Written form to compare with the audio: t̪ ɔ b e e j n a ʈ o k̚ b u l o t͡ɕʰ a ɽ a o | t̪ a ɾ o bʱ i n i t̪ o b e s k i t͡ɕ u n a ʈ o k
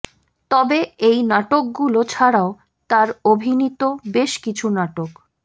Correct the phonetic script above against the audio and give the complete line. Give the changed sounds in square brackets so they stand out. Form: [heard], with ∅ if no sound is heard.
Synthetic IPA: t̪ ɔ b e e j n a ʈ o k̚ [ɡ] u l o t͡ɕʰ a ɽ a o | t̪ a ɾ o bʱ i n i t̪ o b e [ʃ] k i [t͡ɕʰ] u n a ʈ o k

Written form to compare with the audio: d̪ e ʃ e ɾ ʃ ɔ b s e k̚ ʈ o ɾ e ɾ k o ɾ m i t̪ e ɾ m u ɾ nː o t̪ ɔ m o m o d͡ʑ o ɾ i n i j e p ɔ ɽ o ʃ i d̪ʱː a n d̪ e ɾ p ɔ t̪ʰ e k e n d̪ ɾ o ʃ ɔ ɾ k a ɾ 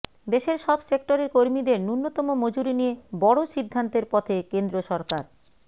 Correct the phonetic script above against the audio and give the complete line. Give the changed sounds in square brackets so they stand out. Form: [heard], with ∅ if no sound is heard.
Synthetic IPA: d̪ e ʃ e ɾ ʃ ɔ b s e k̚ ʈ o ɾ e ɾ k o ɾ m i [d̪] e ɾ [n] u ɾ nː o t̪ ɔ m o m o d͡ʑ [u] ɾ i n i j e [b] ɔ ɽ o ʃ i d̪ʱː a n [t̪] e ɾ p ɔ t̪ʰ e k e n d̪ ɾ o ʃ ɔ ɾ k a ɾ

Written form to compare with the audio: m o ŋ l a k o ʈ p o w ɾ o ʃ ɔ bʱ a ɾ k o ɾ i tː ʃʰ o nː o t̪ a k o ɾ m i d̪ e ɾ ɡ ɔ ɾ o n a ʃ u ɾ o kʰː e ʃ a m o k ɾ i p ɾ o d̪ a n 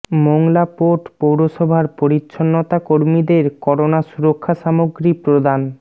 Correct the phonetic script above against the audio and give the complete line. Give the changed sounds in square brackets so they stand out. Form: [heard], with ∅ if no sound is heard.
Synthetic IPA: m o ŋ l a [p] o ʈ p o w ɾ o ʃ ɔ bʱ a ɾ [p] o ɾ i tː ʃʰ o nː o t̪ a k o ɾ m i d̪ e ɾ [k] ɔ ɾ o n a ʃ u ɾ o kʰː [a] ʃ a m o [ɡ] ɾ i p ɾ o d̪ a n

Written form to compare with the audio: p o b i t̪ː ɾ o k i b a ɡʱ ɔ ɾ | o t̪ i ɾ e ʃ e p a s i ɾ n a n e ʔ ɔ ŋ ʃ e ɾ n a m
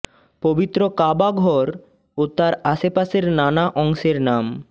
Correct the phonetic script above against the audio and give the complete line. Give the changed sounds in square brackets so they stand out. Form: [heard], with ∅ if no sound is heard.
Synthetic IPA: p o b i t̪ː ɾ o k [a] b a ɡʱ ɔ ɾ | o t̪ [a] ɾ [a] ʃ e p a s [e] ɾ n a n [a] ʔ ɔ ŋ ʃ e ɾ n a m

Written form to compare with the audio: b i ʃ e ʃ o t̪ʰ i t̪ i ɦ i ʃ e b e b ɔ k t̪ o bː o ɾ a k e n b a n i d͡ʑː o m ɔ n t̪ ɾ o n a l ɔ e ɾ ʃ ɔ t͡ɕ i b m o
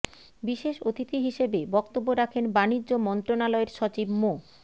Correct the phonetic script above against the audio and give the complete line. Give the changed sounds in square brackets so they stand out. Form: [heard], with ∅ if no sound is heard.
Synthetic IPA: b i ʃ e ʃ o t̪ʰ i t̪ i ɦ i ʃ e b e b ɔ k t̪ o bː o ɾ a [kʰ] e n b a n i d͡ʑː o m ɔ n t̪ ɾ o n a l ɔ e ɾ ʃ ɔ t͡ɕ i b m o

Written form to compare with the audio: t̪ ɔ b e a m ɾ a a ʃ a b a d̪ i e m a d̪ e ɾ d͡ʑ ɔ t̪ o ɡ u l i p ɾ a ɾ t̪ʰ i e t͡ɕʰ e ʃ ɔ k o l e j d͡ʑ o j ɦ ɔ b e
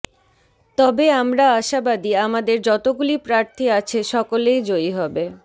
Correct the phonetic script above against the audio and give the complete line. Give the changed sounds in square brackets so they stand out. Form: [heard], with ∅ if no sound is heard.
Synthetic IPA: t̪ ɔ b e a m ɾ a a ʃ a b a d̪ i [a] m a d̪ e ɾ d͡ʑ ɔ t̪ o ɡ u l i p ɾ a ɾ t̪ʰ i [a] t͡ɕʰ e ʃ ɔ k o l e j d͡ʑ o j ɦ ɔ b e

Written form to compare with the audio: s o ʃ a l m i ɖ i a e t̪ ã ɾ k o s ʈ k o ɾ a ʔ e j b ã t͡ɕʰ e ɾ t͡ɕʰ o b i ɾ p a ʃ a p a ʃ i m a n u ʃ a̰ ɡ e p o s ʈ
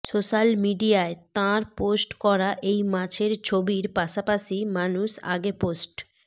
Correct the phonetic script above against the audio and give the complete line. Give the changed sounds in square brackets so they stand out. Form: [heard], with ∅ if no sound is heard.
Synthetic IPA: s o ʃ a l m i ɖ i a e t̪ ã ɾ [p] o s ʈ k [ɔ] ɾ a ʔ e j [m] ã t͡ɕʰ e ɾ t͡ɕʰ o b i ɾ p a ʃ a p a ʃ i m a n u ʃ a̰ ɡ e p o s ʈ

